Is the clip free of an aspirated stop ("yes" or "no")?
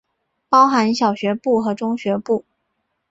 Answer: yes